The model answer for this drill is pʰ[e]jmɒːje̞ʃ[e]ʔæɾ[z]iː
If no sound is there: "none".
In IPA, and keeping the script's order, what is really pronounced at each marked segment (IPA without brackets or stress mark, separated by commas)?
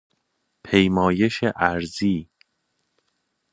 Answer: e, e, z